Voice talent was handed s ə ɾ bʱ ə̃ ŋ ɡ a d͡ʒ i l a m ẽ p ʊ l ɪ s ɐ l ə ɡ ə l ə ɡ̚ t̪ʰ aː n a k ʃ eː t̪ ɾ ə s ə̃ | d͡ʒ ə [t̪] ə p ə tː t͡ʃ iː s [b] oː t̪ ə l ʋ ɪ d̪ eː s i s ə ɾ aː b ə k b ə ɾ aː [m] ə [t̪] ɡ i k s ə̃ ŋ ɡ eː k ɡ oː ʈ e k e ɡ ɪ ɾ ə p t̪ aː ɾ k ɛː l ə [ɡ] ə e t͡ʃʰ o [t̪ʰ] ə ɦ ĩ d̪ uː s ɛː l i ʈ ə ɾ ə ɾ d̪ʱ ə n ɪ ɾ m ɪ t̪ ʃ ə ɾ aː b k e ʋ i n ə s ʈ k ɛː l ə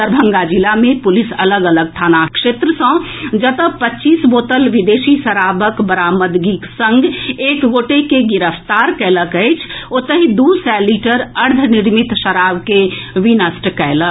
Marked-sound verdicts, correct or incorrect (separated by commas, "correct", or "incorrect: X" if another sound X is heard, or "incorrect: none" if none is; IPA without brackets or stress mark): correct, correct, correct, incorrect: d̪, incorrect: k, incorrect: t̪